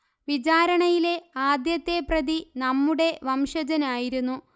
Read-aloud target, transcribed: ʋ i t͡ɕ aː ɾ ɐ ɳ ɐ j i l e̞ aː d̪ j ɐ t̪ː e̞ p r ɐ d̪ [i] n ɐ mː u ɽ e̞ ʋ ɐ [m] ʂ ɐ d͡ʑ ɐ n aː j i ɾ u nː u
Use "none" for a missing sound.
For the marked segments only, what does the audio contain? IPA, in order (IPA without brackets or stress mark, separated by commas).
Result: i, m